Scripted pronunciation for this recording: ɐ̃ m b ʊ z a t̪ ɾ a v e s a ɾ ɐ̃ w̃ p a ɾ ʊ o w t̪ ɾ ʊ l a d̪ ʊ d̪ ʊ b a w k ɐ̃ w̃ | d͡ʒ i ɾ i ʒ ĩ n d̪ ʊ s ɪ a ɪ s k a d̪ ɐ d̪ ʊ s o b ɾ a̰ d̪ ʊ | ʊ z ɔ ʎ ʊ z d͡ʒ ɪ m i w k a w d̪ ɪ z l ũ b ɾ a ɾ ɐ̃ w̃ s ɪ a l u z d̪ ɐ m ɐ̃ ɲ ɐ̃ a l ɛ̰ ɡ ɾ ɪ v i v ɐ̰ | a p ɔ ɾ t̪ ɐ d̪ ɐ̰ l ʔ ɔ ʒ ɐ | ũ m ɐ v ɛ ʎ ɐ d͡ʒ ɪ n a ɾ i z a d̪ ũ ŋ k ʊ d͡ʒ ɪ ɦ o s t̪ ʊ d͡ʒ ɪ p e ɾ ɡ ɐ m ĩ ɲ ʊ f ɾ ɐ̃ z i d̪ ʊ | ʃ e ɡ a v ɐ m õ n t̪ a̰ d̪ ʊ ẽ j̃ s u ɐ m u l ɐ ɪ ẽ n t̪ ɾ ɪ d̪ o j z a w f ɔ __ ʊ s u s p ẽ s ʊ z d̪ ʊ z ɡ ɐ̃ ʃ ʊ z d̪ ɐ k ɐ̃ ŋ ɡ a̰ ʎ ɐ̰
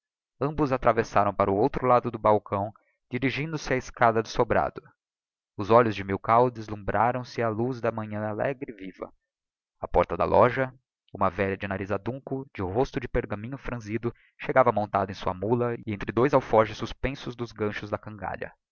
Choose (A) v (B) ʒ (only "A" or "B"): B